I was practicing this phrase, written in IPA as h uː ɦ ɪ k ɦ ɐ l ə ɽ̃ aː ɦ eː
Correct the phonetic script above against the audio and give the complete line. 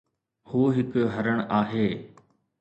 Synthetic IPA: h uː ɦ ɪ k ɦ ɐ ɾ ə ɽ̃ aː ɦ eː